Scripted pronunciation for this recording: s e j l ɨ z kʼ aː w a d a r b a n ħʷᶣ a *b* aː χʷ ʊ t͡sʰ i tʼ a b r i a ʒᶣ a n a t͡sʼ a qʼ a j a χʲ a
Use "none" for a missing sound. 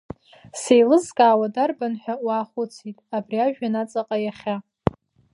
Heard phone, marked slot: w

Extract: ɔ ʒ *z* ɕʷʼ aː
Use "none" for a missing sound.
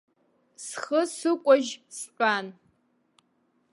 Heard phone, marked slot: s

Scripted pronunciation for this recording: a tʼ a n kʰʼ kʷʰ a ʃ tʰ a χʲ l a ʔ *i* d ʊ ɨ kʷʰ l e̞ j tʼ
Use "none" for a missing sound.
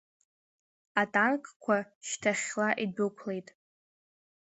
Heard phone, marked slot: i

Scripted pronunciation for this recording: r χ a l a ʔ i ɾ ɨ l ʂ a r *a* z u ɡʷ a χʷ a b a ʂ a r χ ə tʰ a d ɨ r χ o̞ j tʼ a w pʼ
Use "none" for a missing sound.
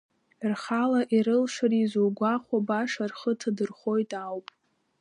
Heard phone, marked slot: i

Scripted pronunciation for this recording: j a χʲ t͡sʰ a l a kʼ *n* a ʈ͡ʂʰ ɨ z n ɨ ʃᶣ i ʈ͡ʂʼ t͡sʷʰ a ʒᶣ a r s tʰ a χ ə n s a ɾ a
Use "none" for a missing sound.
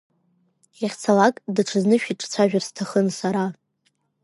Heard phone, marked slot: d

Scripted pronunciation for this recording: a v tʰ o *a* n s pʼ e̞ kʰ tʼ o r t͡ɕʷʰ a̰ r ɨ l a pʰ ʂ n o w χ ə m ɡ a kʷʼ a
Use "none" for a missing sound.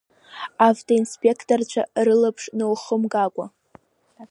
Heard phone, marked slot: i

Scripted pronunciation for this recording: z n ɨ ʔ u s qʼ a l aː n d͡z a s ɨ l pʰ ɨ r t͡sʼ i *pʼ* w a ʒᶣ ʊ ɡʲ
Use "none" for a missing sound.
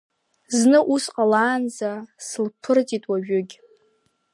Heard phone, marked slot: tʼ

